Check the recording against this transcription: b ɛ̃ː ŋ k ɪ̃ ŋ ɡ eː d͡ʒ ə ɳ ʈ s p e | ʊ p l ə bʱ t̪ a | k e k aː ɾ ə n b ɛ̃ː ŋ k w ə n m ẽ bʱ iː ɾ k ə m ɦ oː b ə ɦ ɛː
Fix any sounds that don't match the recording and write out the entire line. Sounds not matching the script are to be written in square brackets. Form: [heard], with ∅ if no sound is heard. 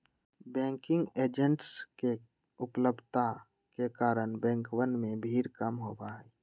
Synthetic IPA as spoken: b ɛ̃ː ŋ k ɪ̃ ŋ ɡ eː d͡ʒ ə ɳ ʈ s [k] e | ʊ p l ə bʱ t̪ a | k e k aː ɾ ə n b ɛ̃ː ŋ k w ə n m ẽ bʱ iː ɾ k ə m ɦ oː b [a] ɦ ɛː